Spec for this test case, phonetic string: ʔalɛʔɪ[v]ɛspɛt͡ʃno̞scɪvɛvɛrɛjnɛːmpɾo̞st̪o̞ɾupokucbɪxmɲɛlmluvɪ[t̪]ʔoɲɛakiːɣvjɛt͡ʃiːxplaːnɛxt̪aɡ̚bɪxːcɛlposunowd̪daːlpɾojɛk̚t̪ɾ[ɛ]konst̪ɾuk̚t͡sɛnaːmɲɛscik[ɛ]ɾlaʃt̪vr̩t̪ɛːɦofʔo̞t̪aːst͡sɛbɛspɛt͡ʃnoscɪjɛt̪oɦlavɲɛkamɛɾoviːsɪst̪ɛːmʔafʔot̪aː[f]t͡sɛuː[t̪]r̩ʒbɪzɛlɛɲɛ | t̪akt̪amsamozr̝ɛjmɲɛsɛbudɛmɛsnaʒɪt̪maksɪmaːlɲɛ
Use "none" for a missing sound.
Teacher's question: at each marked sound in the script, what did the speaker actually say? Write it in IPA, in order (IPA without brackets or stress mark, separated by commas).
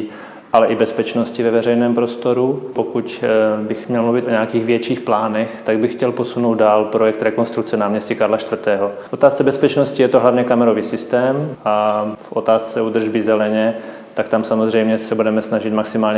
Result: b, t̪, ɛ, a, s, d̪